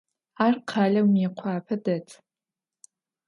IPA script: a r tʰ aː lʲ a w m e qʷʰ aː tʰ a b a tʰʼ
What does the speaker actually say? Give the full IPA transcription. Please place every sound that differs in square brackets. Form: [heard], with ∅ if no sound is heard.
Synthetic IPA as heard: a r [qʰ] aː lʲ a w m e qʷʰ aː [pʰ] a [d] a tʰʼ